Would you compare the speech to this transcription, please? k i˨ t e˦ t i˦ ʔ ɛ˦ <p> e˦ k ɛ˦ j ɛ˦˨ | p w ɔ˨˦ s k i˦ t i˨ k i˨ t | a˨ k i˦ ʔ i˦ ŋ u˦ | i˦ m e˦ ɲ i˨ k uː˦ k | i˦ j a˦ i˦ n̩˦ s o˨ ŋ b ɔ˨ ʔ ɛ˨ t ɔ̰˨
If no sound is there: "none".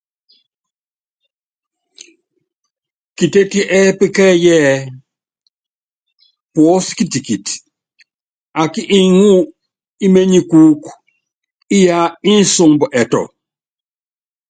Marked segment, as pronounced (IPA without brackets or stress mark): p